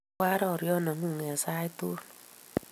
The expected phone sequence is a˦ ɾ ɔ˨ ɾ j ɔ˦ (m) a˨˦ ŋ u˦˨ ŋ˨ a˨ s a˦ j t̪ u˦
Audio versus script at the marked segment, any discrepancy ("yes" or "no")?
yes